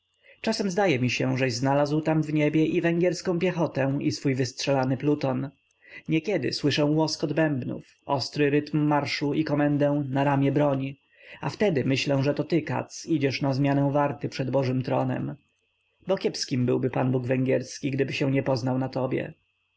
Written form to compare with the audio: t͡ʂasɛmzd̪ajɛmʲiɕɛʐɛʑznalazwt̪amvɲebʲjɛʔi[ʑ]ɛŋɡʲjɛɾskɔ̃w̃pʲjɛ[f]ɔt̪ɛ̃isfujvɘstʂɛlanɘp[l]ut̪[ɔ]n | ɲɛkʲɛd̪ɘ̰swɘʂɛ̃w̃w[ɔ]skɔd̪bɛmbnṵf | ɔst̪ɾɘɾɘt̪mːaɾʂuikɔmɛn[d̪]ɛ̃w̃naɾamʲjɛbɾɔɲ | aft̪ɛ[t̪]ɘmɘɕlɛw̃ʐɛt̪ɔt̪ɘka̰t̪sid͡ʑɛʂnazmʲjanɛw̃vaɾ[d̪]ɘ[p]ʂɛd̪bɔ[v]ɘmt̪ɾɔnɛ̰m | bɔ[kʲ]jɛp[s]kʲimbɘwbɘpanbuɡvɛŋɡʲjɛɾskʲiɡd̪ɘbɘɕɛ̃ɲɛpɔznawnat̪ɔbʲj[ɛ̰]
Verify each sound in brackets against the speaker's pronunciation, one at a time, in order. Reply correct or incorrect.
incorrect, incorrect, correct, correct, correct, correct, incorrect, incorrect, correct, incorrect, correct, correct, correct

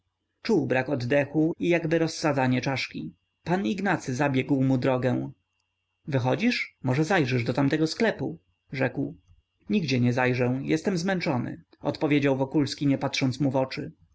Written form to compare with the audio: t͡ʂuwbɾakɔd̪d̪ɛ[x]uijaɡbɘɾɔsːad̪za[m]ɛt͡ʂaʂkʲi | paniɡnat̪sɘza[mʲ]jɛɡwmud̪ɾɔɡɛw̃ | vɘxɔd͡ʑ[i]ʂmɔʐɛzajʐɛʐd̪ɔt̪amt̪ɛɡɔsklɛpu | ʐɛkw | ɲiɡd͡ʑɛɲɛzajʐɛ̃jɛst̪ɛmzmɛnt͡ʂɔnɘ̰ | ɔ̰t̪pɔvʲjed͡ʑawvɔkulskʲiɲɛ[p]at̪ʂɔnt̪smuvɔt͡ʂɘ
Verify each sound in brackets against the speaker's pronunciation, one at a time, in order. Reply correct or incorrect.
correct, incorrect, incorrect, correct, correct

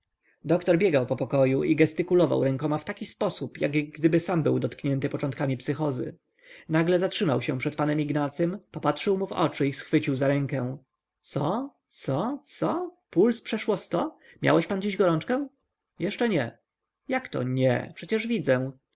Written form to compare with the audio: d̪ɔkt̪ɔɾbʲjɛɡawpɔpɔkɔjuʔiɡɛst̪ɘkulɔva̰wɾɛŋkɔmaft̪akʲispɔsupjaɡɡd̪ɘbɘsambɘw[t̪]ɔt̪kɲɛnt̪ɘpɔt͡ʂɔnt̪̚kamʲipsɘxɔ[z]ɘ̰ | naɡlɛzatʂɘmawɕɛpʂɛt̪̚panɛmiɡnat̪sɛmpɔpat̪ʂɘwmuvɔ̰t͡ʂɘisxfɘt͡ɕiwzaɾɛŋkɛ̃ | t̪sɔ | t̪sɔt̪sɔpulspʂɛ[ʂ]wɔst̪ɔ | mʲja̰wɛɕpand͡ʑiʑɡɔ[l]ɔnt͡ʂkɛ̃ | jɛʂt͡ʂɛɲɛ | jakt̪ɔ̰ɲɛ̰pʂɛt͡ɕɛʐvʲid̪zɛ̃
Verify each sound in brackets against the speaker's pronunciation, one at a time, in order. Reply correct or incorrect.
incorrect, correct, correct, incorrect

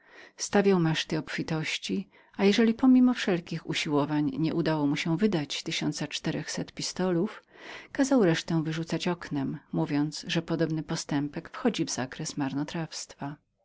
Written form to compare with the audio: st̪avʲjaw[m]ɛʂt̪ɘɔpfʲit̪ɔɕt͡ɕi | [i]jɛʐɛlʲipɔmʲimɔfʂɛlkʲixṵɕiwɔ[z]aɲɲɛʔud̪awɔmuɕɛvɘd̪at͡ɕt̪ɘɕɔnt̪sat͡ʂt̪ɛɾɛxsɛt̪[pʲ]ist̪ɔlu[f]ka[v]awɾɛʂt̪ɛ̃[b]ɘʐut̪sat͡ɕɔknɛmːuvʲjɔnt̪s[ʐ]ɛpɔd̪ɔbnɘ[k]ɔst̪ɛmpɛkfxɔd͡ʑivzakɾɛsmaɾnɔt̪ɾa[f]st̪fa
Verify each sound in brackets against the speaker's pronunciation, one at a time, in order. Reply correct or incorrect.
correct, incorrect, incorrect, correct, correct, incorrect, incorrect, correct, incorrect, correct

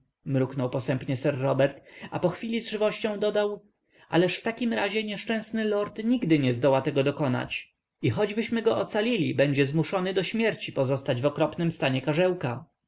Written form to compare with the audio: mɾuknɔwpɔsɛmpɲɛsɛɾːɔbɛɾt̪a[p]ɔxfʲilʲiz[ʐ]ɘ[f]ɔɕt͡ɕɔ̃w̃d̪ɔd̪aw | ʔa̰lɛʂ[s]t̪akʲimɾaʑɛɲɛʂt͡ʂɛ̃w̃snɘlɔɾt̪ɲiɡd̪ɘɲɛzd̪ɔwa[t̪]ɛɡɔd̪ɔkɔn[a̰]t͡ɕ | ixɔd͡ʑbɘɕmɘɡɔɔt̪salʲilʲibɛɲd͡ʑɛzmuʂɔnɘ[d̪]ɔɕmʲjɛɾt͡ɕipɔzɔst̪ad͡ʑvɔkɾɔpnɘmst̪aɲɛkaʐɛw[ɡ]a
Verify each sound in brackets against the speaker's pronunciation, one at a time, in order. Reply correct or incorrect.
correct, correct, incorrect, incorrect, correct, correct, correct, incorrect

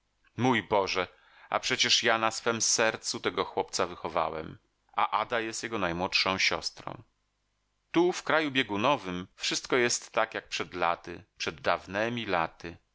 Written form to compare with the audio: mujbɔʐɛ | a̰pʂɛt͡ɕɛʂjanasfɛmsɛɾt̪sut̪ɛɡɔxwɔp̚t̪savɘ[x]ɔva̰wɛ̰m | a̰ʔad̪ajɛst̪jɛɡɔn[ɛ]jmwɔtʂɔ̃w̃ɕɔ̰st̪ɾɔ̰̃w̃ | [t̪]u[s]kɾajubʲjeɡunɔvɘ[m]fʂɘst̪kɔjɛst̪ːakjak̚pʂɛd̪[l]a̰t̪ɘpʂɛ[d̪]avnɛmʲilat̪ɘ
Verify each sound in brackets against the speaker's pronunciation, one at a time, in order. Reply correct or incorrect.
correct, incorrect, correct, incorrect, correct, correct, incorrect

